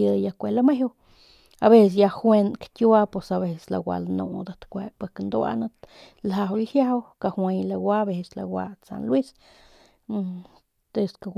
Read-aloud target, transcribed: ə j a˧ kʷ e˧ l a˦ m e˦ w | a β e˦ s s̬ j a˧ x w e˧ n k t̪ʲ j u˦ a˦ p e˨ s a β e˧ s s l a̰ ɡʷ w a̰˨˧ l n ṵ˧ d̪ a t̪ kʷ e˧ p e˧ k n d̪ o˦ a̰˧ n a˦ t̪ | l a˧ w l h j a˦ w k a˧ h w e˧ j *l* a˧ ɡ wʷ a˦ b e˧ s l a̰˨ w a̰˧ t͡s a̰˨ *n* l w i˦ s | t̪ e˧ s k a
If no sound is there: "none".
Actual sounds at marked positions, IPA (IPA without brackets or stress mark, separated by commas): l, n